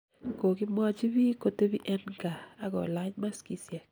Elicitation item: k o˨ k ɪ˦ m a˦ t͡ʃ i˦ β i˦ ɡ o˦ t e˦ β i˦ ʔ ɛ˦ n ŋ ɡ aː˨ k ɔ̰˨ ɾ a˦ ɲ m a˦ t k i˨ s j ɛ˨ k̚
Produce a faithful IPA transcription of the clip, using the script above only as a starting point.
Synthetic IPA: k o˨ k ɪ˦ m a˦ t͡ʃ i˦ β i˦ k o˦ t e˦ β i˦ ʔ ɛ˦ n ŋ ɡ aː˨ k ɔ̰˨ l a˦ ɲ m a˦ s k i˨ s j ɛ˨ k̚